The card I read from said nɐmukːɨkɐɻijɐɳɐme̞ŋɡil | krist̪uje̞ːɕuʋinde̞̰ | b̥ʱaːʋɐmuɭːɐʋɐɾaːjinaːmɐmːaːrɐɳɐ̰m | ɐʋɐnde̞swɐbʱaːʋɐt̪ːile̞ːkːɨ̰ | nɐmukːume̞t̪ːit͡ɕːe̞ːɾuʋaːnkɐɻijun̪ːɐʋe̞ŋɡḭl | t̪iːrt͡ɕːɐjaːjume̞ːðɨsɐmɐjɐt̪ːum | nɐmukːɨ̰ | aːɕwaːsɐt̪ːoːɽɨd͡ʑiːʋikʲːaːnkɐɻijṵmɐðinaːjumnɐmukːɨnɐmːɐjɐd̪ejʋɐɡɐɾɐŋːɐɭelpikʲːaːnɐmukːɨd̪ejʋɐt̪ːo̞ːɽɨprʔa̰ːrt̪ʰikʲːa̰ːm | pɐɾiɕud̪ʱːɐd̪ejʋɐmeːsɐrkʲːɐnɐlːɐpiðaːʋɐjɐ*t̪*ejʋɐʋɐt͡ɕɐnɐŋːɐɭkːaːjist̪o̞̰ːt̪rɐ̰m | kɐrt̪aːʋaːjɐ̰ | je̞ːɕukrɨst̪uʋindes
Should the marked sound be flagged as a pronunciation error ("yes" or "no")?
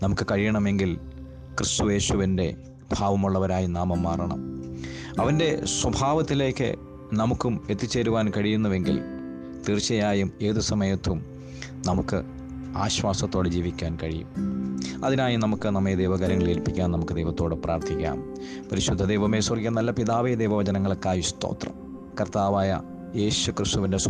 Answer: yes